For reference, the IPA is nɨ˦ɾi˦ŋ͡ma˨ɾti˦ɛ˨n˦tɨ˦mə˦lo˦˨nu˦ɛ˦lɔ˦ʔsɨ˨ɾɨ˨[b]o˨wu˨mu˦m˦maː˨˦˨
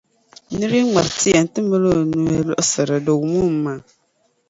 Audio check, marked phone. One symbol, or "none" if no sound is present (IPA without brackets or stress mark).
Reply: d